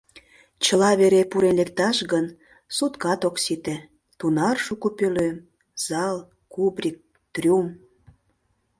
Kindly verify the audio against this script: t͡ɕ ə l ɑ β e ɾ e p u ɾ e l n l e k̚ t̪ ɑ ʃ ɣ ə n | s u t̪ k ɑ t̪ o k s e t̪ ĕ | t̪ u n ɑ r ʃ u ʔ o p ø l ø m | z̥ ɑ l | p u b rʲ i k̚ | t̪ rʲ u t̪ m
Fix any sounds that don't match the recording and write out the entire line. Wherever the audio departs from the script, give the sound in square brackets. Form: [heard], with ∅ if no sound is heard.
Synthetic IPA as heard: t͡ɕ ə l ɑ β e ɾ e p u ɾ e [∅] n l e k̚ t̪ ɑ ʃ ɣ ə n | s u t̪ k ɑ t̪ o k s [i] t̪ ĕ | t̪ u n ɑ r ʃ u [k] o p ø l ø m | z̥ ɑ l | [k] u b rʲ i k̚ | t̪ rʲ u [∅] m